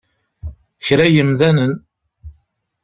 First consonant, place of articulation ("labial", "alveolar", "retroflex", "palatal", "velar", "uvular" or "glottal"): palatal